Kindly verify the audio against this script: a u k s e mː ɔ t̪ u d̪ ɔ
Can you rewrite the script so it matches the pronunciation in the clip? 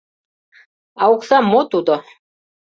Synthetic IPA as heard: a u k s a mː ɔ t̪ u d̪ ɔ